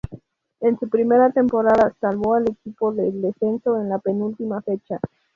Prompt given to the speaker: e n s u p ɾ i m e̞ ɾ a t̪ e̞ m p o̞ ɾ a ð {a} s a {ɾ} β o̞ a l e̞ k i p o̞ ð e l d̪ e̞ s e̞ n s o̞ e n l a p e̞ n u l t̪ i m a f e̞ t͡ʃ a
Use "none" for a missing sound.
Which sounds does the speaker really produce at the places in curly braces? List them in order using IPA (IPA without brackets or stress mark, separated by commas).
a, l